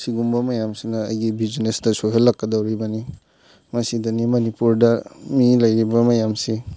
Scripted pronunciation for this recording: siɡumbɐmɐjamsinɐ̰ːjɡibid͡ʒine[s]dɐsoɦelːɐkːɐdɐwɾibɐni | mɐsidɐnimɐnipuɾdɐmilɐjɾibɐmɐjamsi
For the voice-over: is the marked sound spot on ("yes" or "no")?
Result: yes